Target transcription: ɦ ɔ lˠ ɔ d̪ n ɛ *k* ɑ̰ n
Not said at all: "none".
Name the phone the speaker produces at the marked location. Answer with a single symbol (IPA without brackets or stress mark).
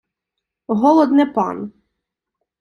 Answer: p